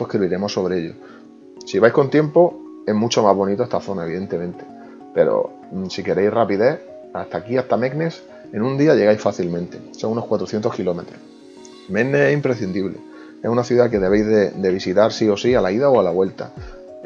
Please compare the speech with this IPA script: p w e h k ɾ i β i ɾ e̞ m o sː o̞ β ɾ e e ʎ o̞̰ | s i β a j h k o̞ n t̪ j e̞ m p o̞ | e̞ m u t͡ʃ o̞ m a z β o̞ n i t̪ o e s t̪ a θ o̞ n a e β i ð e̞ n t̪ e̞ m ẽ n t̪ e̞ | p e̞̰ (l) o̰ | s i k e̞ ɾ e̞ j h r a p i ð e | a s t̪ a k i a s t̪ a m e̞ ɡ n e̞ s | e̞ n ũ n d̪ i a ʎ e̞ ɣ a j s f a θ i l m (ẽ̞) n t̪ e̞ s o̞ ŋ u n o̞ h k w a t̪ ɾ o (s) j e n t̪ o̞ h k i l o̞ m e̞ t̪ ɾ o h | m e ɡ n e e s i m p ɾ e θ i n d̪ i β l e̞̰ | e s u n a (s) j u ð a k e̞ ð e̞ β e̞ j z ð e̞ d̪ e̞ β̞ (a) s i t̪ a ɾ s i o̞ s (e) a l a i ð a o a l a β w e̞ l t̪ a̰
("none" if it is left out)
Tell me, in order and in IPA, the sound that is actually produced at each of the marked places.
ɾ, ẽ̞, θ, θ, i, i

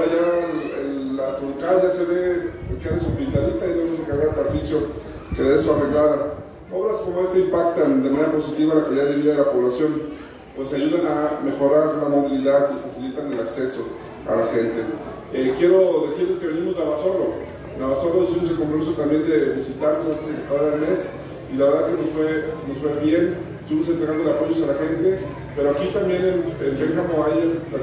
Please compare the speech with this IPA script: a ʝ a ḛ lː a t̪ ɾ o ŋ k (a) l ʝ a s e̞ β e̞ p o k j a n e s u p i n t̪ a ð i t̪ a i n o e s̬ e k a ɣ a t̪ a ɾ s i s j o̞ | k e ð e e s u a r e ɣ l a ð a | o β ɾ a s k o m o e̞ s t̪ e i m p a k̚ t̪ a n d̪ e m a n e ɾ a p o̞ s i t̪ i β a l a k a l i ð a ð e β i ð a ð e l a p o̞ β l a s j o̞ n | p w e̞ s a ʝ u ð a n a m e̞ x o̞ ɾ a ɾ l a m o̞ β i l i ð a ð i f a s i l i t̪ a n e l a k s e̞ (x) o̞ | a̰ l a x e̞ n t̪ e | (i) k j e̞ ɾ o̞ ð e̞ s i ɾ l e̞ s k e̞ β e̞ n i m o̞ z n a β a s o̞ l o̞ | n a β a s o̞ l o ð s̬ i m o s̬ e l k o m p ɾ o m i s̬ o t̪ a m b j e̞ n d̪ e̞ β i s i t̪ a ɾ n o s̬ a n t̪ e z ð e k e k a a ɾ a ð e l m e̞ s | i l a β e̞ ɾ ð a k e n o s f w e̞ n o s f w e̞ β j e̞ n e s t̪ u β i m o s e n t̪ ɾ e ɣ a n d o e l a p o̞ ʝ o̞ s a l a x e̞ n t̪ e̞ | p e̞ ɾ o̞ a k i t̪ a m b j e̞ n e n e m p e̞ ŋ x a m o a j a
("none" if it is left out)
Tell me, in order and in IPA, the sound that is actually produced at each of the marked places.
a, s, e

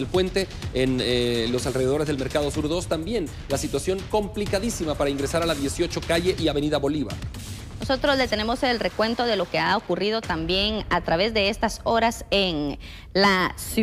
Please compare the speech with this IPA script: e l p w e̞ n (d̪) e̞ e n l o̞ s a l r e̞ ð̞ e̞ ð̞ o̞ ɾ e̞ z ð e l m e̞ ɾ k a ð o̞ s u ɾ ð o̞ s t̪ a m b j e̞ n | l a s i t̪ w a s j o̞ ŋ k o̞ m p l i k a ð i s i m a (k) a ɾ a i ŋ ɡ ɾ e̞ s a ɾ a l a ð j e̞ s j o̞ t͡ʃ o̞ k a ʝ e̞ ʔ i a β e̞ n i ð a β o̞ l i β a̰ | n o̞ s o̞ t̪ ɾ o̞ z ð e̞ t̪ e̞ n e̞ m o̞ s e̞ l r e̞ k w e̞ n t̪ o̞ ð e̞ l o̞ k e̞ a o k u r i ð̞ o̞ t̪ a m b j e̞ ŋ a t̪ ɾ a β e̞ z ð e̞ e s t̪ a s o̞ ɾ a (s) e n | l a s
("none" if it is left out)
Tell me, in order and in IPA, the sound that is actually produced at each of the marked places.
t̪, p, s

